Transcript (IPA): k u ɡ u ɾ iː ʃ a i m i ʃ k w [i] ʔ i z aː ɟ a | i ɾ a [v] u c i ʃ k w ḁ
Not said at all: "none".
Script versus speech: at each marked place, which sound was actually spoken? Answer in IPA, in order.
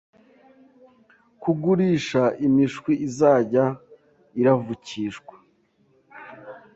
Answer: i, v

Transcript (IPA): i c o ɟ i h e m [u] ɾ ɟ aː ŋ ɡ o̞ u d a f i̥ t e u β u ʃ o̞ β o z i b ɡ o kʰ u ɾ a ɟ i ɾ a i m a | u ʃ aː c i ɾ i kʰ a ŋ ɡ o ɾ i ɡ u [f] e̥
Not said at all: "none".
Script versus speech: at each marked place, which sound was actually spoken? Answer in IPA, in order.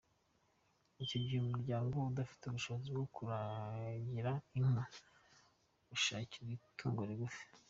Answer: u, f

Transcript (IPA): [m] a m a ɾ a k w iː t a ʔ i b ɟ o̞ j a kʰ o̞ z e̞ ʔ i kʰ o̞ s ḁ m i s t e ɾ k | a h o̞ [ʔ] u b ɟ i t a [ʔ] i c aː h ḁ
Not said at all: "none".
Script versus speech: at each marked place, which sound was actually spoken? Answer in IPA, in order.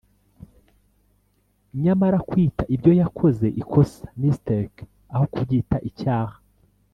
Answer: ɲ, k, ʔ

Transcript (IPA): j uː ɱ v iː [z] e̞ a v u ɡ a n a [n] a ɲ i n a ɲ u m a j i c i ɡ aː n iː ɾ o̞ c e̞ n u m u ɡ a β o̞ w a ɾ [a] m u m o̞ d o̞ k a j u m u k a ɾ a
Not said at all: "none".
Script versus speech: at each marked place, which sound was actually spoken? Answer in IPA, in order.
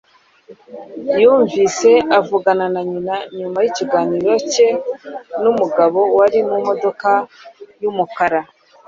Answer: s, n, i

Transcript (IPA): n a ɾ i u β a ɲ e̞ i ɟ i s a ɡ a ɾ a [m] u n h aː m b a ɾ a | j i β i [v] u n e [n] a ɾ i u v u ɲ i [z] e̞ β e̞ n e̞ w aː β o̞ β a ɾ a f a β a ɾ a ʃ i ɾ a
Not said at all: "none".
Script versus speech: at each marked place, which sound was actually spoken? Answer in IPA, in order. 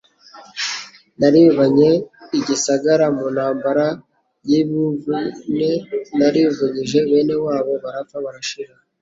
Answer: m, v, n, ʒ

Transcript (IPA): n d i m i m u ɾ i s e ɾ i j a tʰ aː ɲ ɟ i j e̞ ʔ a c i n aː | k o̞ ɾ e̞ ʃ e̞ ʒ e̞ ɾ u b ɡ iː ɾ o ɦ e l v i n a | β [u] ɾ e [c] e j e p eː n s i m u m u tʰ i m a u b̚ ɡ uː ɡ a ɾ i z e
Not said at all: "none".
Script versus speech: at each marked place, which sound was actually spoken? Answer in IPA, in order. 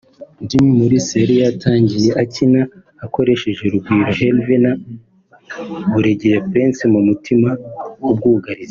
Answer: u, ɟ

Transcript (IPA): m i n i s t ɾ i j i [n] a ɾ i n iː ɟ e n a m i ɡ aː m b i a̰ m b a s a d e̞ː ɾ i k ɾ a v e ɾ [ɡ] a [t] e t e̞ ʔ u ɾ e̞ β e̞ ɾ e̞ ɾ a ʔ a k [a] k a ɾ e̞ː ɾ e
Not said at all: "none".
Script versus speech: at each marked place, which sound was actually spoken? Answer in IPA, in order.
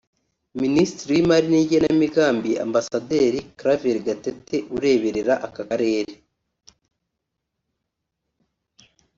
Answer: m, ɡ, t, a

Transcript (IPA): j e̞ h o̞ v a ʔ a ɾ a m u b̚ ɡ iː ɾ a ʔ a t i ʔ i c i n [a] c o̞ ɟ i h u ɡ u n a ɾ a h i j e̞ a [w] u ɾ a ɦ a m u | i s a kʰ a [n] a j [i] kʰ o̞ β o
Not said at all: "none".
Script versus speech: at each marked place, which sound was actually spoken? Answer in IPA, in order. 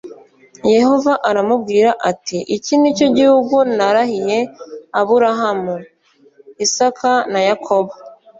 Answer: i, β, n, a

